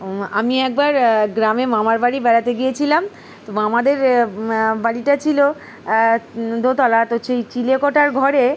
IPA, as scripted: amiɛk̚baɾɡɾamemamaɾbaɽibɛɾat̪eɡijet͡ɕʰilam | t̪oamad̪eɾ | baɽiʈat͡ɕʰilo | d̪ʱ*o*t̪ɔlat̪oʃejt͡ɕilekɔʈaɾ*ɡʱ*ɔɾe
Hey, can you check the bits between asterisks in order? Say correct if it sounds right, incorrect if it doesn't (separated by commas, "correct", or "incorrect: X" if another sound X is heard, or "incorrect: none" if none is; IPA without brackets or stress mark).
correct, correct